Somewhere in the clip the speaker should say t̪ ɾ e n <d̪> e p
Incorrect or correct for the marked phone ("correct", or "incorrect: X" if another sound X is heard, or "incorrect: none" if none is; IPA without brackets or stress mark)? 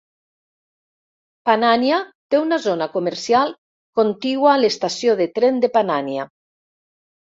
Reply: correct